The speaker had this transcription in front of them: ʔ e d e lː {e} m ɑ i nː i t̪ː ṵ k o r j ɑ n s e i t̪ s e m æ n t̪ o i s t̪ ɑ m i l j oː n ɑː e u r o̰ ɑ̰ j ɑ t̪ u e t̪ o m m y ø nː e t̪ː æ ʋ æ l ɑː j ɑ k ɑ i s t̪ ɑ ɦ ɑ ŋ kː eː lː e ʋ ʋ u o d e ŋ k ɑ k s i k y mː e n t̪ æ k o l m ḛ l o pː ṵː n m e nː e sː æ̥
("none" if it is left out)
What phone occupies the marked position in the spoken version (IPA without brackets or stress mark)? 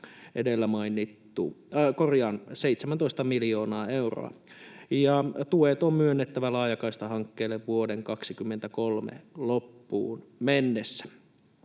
æ